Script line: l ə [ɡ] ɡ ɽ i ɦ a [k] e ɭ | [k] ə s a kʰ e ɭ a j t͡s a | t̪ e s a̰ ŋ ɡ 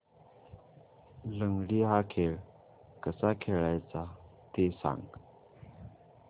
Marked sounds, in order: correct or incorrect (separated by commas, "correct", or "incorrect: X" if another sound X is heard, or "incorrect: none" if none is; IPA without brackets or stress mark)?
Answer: incorrect: ŋ, incorrect: kʰ, correct